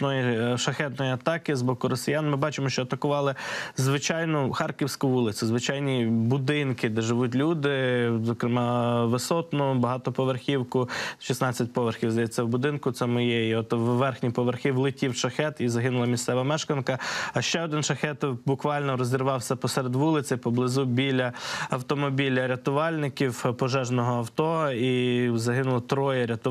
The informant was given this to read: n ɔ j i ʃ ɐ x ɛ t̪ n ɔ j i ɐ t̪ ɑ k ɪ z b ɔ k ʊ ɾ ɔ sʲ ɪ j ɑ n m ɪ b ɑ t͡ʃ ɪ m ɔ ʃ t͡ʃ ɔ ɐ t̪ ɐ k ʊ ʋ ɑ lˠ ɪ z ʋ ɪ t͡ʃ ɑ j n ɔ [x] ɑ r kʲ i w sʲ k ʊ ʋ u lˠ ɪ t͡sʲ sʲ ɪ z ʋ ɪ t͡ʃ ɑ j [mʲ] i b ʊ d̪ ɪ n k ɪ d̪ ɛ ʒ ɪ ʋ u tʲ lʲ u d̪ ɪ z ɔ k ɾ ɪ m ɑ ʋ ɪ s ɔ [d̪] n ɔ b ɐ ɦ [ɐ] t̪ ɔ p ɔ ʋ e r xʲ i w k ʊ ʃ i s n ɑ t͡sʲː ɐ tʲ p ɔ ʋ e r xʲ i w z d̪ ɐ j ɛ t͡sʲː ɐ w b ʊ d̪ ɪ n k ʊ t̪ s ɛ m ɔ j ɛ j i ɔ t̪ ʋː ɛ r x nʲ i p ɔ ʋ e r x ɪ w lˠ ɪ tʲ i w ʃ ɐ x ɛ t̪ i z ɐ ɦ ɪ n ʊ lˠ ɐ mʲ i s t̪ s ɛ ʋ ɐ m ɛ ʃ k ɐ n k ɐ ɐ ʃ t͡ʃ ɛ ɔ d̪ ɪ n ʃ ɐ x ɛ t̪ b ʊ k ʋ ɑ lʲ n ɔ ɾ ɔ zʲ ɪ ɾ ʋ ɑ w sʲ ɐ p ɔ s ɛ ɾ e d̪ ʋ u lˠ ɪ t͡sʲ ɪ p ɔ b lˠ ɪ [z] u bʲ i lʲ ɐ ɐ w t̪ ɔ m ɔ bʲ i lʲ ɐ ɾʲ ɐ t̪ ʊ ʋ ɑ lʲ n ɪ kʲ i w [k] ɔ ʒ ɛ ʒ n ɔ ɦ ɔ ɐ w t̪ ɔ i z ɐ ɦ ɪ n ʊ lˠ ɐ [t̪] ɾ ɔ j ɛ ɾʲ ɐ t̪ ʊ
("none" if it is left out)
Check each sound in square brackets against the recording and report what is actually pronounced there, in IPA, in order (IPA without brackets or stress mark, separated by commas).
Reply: x, nʲ, t̪, ɑ, z, p, t̪